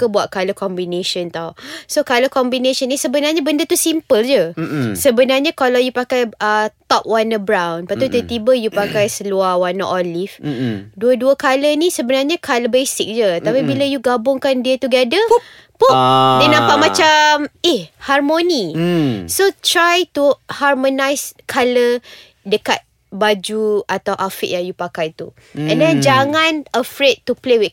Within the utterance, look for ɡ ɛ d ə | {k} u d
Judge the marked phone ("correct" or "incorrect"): incorrect